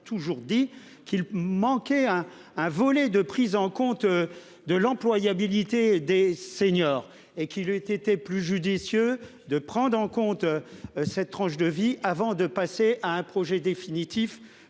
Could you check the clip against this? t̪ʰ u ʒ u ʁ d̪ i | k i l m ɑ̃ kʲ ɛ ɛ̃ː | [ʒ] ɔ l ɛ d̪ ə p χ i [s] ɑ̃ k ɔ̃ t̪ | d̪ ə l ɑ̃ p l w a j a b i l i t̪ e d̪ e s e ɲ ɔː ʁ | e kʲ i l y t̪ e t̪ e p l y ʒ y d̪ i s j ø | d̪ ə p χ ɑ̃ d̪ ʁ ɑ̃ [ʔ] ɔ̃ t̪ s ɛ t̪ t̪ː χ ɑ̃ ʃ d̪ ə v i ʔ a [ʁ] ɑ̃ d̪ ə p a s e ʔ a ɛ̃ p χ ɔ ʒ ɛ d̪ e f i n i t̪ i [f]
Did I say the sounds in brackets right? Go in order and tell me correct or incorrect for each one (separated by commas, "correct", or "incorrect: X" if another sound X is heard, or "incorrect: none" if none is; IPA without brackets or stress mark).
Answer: incorrect: v, incorrect: z, incorrect: k, incorrect: v, correct